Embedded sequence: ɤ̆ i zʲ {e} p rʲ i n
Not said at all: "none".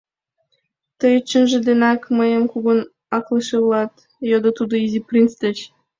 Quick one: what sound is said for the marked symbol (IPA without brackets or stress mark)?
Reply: i